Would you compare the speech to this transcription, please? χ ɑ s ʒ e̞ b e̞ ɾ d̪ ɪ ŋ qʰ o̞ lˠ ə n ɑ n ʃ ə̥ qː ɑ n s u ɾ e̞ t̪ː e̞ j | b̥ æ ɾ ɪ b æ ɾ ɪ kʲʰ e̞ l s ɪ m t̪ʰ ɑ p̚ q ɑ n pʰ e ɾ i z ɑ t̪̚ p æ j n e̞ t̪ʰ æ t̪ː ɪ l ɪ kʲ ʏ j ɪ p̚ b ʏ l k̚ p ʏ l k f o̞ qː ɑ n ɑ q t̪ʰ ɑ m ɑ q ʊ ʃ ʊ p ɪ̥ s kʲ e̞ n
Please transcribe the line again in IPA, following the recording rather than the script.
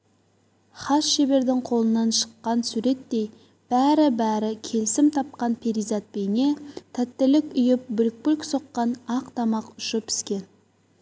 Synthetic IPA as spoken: χ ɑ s ʃ e̞ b e̞ ɾ d̪ ɪ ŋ qʰ o̞ lˠ ə n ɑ n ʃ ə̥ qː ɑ n s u ɾ e̞ t̪ː e̞ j | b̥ æ ɾ ɪ b æ ɾ ɪ kʲʰ e̞ l s ɪ m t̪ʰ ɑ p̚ q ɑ n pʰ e ɾ i z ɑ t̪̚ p e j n e̞ t̪ʰ æ t̪ː ɪ l ɪ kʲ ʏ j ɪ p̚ b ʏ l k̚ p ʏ l k s o̞ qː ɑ n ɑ q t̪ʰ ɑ m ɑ q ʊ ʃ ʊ p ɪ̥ s kʲ e̞ n